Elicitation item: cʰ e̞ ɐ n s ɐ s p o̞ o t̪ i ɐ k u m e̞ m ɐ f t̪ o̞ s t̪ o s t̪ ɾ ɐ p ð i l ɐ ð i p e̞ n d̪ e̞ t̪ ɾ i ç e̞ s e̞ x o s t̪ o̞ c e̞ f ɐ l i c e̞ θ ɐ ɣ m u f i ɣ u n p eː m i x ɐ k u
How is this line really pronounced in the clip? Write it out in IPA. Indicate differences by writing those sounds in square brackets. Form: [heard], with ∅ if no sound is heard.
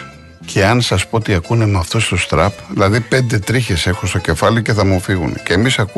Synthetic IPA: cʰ e̞ ɐ n s ɐ s p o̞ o t̪ i ɐ k u [n] e̞ m ɐ f t̪ o̞ s t̪ o s t̪ ɾ ɐ p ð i l ɐ ð i p e̞ n d̪ e̞ t̪ ɾ i ç e̞ s e̞ x o s t̪ o̞ c e̞ f ɐ l i c e̞ θ ɐ [∅] m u f i ɣ u n [c] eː m i [s] ɐ k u